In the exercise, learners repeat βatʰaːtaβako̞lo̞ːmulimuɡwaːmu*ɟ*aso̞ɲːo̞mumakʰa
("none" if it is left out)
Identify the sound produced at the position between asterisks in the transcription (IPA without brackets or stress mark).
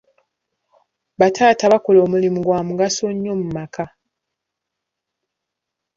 ɡ